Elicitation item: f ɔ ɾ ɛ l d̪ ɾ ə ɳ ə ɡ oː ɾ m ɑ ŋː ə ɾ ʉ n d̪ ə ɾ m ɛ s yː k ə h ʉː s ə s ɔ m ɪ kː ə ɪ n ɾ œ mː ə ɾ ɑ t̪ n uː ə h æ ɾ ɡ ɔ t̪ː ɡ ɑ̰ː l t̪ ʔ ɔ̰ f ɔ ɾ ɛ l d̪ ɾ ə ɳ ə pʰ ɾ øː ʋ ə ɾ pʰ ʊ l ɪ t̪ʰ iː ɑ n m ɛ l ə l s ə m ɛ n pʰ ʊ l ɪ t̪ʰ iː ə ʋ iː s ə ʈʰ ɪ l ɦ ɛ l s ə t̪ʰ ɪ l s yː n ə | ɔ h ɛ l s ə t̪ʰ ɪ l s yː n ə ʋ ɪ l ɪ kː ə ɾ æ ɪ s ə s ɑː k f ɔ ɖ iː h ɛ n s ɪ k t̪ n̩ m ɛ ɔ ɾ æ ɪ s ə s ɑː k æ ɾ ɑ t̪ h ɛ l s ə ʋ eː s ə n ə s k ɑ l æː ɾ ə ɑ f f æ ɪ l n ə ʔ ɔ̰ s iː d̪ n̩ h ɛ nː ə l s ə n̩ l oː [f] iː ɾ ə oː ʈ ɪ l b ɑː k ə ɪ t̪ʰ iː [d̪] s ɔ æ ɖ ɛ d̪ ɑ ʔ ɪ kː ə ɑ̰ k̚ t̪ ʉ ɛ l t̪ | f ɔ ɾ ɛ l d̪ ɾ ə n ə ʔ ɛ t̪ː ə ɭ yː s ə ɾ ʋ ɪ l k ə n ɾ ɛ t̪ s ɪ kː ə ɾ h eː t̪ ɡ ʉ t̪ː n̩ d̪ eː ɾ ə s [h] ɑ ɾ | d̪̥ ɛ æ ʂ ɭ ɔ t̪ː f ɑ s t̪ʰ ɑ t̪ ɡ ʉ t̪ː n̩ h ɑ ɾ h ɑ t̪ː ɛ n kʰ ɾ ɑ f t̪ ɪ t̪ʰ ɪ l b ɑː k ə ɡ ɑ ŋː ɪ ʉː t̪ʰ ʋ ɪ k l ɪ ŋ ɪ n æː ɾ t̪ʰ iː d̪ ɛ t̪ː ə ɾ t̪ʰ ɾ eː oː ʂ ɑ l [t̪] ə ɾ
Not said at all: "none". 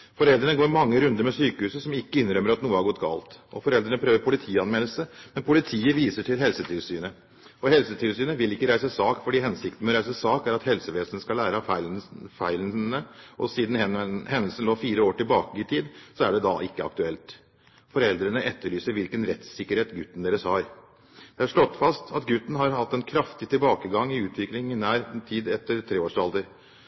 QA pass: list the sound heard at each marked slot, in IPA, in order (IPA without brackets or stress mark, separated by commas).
f, d̪, h, d̪